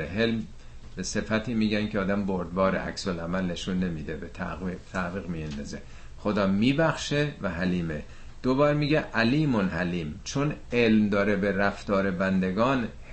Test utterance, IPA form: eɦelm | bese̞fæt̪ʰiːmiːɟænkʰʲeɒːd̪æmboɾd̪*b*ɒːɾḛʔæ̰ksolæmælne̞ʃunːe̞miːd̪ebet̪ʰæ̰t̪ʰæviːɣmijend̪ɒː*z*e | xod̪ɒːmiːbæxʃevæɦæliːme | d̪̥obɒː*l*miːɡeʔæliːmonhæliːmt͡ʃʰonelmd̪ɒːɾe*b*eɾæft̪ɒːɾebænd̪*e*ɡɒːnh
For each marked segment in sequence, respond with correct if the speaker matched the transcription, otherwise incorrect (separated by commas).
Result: correct, correct, incorrect, correct, correct